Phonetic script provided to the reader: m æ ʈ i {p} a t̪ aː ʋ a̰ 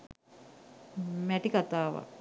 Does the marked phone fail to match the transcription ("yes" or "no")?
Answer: yes